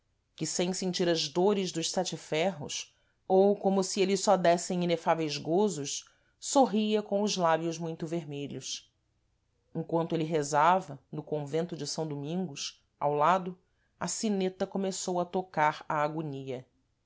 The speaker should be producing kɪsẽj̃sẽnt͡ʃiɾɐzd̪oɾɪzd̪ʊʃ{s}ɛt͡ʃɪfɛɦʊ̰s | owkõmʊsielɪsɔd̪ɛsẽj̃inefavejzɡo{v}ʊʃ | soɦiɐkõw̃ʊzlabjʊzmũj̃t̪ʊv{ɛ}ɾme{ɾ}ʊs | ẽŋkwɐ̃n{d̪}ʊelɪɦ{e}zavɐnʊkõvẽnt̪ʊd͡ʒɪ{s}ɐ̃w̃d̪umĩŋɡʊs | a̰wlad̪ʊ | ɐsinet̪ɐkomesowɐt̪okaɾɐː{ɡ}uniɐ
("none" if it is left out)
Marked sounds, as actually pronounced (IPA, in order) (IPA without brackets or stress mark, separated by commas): s, z, e, ʎ, t̪, e, s, ɡ